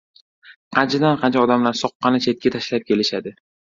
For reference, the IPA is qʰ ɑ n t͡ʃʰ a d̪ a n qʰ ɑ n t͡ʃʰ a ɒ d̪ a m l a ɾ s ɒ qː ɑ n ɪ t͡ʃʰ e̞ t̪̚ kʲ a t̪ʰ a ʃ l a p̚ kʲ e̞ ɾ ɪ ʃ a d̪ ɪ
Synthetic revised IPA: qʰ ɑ n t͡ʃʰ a d̪ a n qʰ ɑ n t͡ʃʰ a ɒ d̪ a m l a ɾ s ɒ qː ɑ n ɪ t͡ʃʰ e̞ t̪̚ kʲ a t̪ʰ a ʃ l a p̚ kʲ e̞ l ɪ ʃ a d̪ ɪ